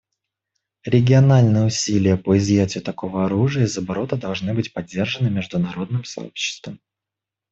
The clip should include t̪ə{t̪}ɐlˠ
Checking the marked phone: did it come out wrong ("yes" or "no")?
yes